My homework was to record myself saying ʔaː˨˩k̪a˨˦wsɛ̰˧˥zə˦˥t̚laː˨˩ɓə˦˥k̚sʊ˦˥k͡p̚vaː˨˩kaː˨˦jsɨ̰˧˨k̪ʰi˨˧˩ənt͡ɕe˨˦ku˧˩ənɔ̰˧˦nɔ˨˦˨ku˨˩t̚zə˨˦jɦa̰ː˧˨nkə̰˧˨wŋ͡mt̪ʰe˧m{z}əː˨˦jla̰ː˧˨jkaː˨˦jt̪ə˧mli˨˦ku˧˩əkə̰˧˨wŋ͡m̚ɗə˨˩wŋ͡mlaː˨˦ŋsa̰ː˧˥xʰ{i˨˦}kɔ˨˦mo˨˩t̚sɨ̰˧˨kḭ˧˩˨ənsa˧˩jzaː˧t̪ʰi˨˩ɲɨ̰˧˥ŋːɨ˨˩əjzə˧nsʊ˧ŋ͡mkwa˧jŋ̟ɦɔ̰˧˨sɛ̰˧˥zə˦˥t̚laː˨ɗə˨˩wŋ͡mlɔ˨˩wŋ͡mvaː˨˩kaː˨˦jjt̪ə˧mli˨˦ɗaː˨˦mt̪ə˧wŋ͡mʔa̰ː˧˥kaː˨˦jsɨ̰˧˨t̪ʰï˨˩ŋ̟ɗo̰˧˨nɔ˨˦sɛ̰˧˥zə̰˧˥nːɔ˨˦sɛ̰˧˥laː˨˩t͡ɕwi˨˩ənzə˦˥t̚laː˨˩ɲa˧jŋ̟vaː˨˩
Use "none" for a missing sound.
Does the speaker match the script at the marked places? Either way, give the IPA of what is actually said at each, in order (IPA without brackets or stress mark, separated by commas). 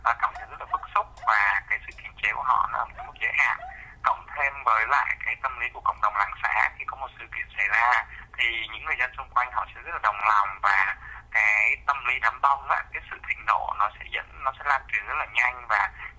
v, i˧˨˩